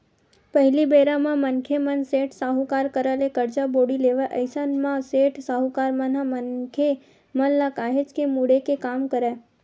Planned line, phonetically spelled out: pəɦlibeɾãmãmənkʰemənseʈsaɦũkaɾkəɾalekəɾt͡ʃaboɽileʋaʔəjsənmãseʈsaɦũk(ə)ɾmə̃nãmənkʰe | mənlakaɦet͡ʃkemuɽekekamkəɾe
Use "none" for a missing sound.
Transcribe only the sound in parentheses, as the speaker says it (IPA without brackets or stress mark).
a